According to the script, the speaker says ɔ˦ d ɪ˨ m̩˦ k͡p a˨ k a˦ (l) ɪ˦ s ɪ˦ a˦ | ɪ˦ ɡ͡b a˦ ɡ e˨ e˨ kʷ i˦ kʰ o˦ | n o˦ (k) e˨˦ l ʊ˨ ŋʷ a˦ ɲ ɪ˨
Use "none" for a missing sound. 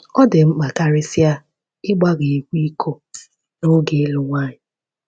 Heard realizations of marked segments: ɾ, ɡ

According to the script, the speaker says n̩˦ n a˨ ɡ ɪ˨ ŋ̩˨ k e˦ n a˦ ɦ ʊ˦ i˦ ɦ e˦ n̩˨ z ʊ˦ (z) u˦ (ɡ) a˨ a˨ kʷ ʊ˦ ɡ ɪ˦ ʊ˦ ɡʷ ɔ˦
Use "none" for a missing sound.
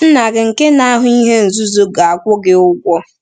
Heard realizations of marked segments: z, ɡ

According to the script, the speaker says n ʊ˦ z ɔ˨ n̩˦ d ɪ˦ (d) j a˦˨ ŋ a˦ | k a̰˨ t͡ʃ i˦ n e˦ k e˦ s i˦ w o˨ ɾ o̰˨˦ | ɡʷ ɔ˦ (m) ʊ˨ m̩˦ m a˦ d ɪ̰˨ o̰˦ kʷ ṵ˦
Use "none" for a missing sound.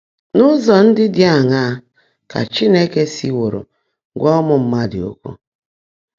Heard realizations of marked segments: d, m

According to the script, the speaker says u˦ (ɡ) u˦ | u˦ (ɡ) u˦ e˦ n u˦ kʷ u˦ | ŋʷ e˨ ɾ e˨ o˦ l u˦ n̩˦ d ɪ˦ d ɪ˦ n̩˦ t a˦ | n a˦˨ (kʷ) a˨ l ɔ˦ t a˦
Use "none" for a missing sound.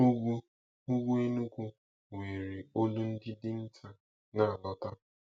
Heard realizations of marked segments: ɡ, ɡ, none

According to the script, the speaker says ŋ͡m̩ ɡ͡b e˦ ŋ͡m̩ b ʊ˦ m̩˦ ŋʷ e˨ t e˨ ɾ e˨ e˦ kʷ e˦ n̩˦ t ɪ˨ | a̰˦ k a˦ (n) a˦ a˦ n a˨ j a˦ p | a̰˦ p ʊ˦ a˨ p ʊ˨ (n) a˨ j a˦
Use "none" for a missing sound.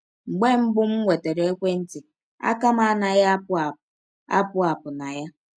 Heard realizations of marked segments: m, n

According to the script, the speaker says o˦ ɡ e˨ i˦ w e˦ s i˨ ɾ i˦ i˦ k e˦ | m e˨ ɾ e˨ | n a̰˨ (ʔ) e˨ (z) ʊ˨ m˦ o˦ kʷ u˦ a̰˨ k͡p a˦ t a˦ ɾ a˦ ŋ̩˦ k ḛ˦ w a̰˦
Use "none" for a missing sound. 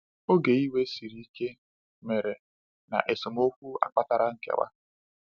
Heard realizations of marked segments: ʔ, s

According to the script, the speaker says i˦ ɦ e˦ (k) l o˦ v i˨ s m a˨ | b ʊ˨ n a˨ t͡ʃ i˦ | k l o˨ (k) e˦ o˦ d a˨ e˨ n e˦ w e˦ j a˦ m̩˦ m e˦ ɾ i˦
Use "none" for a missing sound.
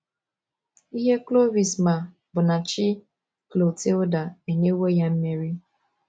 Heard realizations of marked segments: k, t

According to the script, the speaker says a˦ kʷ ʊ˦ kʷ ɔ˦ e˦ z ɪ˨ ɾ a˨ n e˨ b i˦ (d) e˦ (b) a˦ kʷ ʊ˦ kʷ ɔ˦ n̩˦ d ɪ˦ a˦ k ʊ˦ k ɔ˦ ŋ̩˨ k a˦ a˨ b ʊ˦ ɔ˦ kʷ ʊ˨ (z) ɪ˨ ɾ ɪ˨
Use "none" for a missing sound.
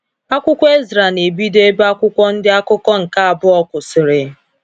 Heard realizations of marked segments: d, b, s

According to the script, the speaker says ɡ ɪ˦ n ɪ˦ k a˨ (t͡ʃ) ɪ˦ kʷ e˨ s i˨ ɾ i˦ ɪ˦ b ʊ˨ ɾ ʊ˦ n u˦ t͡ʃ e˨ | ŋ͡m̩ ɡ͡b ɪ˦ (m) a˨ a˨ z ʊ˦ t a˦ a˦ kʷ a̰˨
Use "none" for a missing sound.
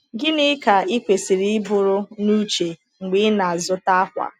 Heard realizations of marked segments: none, n

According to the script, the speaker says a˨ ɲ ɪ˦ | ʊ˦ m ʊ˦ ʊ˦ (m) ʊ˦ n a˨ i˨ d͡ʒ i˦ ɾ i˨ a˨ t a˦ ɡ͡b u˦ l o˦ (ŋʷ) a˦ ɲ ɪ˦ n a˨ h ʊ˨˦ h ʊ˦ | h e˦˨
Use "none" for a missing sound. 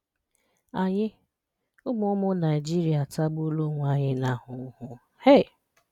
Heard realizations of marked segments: m, ŋʷ

